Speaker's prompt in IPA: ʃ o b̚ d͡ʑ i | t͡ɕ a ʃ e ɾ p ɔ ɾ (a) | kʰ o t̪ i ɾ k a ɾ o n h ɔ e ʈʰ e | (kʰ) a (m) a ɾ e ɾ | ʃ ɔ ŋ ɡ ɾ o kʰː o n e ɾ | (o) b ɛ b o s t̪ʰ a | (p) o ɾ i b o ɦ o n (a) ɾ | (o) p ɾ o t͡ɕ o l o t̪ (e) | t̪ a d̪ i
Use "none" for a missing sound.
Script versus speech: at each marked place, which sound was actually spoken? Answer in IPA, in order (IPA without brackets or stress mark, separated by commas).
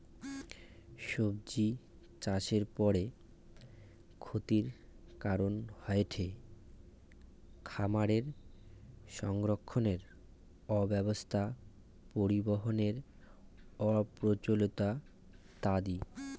e, kʰ, m, ɔ, p, e, ɔ, a